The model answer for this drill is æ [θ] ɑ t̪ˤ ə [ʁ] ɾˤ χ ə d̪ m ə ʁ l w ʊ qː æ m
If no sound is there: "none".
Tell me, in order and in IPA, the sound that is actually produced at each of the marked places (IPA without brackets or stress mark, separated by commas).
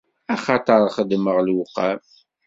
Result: χ, none